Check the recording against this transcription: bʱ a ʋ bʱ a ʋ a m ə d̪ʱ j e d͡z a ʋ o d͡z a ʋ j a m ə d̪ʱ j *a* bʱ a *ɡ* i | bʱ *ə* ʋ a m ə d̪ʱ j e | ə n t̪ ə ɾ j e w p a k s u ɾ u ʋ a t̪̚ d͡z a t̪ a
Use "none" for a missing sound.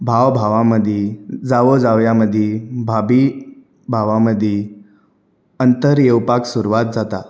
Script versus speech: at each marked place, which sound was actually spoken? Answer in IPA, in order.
e, b, a

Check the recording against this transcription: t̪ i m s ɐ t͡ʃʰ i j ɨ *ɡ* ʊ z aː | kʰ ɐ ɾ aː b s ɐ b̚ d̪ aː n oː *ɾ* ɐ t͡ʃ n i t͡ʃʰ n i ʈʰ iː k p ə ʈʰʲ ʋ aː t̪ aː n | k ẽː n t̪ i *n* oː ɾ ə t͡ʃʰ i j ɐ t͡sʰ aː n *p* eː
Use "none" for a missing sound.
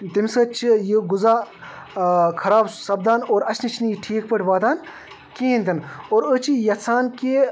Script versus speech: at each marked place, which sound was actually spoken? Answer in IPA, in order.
ɡ, ɾ, n, k

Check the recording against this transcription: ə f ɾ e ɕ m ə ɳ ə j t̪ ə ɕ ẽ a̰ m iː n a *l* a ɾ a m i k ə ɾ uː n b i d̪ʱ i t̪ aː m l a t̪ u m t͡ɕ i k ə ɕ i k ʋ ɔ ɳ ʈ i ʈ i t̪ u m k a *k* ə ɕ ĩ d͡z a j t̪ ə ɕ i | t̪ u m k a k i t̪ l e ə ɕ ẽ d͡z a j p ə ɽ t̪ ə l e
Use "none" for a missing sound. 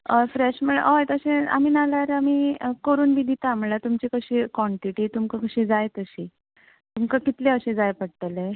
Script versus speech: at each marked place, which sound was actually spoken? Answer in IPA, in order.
l, k

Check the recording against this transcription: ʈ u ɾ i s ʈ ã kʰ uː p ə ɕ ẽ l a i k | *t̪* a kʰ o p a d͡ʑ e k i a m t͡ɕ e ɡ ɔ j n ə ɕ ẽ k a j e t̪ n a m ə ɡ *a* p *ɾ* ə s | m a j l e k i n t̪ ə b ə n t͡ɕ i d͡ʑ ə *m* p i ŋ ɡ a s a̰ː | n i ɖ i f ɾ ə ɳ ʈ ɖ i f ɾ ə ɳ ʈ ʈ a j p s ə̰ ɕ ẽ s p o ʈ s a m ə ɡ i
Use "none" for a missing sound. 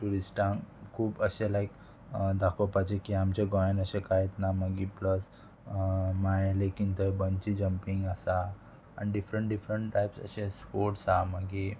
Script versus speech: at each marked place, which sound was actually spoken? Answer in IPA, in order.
d̪, i, l, m

